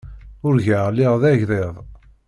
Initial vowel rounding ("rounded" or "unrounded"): rounded